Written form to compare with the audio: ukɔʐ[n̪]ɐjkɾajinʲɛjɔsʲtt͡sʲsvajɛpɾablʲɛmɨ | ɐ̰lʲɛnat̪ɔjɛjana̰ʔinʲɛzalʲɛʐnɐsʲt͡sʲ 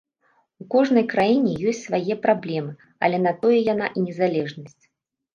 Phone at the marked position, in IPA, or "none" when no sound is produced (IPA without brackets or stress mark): n̪